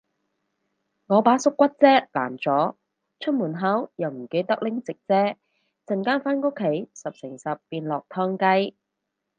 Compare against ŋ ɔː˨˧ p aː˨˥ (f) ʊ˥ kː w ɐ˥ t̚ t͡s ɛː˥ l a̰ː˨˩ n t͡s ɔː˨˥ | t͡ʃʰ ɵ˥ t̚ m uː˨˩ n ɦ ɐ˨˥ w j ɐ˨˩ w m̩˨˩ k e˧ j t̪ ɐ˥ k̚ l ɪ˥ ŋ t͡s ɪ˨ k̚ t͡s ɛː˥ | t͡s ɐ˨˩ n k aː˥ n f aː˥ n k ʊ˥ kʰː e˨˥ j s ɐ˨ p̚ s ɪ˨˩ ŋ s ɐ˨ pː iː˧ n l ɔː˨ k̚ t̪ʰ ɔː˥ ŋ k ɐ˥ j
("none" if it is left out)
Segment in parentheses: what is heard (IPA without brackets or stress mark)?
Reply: s